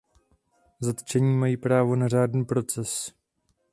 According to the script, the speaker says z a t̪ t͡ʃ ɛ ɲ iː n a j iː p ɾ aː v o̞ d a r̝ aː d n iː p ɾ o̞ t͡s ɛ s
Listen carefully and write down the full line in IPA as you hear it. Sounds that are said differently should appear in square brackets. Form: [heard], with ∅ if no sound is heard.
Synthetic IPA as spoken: z a t̪ t͡ʃ ɛ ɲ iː [m] a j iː p ɾ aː v o̞ [n] a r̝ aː d n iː p ɾ o̞ t͡s ɛ s